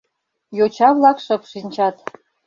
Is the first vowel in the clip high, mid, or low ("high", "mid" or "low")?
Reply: mid